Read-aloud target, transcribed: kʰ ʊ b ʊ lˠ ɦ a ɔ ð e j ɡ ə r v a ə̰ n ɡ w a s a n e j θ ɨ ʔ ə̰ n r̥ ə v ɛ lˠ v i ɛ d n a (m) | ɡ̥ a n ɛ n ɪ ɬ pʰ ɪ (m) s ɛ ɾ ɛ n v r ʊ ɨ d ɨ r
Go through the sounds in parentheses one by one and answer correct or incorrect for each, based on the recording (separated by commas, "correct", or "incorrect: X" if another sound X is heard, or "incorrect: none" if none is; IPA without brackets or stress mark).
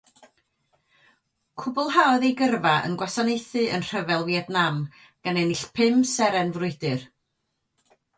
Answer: correct, correct